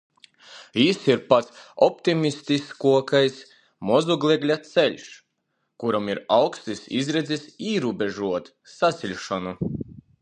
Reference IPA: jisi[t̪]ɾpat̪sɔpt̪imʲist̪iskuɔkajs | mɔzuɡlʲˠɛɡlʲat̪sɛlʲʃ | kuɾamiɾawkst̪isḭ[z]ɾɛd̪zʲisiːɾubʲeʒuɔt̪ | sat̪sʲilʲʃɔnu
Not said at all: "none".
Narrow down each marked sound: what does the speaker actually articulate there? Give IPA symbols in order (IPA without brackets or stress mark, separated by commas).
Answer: none, z